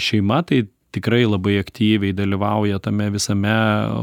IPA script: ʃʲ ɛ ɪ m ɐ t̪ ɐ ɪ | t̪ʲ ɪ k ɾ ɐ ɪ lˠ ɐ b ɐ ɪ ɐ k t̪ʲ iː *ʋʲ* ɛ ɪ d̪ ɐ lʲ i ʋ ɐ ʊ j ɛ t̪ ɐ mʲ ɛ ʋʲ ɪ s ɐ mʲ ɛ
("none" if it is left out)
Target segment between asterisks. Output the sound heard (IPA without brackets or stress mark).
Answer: ʋʲ